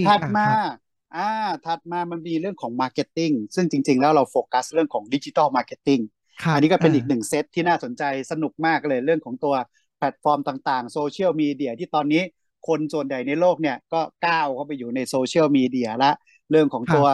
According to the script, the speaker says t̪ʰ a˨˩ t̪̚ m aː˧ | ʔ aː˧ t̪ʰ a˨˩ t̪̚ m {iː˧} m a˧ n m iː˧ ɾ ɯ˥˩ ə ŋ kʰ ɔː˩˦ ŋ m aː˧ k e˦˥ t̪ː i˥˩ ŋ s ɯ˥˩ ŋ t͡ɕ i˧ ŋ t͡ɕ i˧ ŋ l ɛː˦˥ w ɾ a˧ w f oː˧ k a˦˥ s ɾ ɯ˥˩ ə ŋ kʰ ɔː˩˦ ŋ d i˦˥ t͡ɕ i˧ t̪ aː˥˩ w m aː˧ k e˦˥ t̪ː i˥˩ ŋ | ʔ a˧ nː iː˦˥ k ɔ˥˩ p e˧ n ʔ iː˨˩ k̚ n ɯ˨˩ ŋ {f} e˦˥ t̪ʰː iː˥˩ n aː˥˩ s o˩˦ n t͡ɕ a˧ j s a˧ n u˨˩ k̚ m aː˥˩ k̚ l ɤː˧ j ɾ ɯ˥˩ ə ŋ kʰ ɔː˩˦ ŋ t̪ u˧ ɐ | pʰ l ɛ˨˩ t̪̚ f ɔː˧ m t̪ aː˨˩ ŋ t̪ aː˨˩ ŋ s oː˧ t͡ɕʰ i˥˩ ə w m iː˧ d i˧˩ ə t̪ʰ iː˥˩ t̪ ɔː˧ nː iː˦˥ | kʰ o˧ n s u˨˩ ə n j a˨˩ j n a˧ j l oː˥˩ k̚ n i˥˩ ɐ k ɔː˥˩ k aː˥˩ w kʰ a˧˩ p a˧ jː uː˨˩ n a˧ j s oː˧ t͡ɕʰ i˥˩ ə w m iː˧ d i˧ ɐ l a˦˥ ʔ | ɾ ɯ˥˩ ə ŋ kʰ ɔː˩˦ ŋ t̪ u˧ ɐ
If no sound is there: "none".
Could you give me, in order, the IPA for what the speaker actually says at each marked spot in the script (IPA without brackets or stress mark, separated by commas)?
aː˧, s